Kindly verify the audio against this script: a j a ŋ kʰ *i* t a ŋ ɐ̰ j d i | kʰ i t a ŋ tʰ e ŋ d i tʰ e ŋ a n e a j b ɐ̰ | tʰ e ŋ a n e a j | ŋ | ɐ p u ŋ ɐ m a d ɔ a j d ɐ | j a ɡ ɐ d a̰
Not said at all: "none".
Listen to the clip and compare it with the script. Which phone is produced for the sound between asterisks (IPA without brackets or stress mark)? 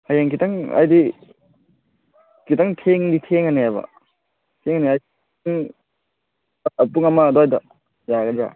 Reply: i